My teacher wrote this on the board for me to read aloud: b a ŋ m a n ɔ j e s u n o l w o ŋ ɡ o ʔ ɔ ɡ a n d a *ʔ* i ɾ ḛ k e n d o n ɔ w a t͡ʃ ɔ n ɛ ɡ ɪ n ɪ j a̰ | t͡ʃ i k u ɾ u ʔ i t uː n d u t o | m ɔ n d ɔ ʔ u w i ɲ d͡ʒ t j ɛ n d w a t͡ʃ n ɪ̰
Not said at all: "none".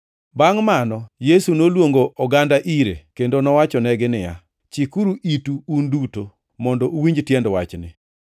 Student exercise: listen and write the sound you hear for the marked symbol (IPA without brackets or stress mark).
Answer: ʔ